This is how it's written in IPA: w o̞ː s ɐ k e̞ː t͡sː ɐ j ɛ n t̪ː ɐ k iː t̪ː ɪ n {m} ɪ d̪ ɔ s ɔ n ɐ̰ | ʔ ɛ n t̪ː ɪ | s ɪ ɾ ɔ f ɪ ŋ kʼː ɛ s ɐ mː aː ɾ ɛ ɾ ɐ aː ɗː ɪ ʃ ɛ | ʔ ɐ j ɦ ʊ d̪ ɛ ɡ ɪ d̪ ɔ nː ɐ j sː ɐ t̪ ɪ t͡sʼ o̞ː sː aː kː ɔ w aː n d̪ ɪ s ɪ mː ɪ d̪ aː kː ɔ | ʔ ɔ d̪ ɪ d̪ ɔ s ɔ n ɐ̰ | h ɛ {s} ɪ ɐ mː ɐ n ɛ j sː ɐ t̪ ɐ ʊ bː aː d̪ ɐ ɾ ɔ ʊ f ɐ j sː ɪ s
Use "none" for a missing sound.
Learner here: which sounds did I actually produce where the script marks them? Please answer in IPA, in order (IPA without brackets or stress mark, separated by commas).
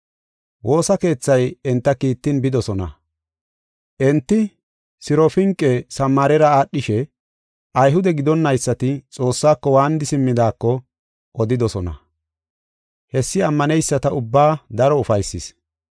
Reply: b, sː